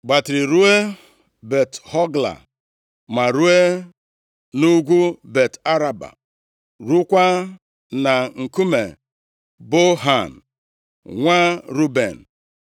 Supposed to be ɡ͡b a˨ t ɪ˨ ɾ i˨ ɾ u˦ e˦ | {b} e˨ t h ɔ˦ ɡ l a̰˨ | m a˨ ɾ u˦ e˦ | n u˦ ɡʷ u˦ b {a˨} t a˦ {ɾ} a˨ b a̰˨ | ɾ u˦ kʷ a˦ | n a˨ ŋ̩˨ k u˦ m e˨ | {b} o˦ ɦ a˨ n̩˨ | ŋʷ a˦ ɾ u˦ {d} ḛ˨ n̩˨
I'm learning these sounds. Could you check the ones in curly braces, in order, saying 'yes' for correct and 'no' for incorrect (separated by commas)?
yes, no, yes, yes, no